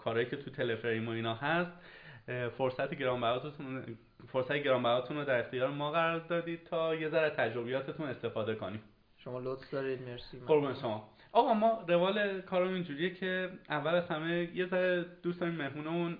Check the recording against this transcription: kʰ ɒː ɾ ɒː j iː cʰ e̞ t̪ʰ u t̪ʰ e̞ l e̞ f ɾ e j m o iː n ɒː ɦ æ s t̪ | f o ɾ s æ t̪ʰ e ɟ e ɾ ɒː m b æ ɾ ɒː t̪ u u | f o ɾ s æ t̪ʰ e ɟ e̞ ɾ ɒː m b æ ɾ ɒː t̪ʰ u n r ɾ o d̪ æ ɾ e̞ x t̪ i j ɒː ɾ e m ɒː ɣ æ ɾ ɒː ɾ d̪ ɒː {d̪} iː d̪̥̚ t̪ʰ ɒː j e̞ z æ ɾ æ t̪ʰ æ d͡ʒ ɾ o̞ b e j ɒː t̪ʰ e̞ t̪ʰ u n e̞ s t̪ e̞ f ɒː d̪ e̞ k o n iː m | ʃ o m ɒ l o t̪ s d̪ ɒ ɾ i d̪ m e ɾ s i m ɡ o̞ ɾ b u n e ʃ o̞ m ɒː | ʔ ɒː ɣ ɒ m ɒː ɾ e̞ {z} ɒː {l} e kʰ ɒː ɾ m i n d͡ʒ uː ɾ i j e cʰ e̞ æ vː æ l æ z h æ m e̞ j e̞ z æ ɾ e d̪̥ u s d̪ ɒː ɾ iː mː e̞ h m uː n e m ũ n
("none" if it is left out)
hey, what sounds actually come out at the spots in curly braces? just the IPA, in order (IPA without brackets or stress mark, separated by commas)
d̪, v, l